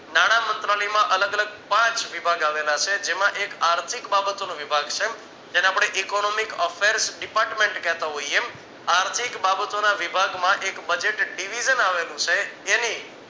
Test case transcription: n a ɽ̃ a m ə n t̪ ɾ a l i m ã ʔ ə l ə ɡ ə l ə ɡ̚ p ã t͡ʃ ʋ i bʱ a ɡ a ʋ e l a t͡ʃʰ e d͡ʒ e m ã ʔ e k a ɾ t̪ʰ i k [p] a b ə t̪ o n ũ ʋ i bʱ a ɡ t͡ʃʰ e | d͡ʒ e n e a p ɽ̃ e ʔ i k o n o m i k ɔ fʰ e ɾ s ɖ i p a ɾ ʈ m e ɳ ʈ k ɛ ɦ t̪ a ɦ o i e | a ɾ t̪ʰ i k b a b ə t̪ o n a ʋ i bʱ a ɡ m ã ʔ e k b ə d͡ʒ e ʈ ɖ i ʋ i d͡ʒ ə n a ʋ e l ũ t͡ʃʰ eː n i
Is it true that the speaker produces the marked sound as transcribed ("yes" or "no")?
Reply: no